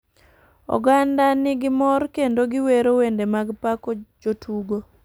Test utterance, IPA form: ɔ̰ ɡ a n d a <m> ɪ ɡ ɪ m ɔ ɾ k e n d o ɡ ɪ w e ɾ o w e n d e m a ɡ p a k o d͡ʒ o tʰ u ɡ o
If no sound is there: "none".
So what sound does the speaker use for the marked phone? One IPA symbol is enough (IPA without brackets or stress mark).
n